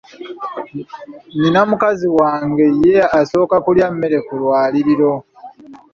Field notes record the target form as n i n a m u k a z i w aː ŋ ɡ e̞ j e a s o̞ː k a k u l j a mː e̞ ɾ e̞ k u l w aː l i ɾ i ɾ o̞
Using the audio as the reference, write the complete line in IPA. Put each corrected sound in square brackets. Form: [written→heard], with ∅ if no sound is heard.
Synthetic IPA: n i n a m u k a z i w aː ŋ ɡ e̞ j e a s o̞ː k a k u l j a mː e̞ ɾ e̞ k u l w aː l i ɾ i ɾ o̞